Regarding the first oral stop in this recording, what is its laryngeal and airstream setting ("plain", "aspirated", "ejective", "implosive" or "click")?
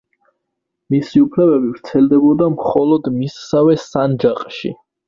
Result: aspirated